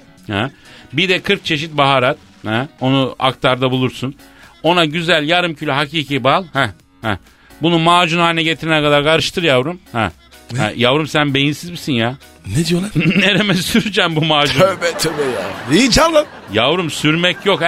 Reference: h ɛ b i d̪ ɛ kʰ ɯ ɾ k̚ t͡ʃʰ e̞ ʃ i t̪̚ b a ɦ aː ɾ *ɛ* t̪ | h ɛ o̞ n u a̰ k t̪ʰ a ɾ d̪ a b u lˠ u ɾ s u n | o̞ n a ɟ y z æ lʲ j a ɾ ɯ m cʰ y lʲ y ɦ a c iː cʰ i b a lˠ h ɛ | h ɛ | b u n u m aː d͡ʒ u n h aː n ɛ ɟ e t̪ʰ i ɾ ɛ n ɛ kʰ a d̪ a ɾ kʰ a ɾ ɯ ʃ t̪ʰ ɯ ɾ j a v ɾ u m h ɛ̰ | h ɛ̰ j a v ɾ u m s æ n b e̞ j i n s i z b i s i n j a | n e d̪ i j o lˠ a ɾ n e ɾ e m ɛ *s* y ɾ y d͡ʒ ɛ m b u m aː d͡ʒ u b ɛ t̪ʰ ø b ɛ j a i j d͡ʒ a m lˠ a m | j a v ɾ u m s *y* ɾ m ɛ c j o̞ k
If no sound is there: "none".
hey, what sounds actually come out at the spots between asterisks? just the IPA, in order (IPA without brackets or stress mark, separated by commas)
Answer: a, s, y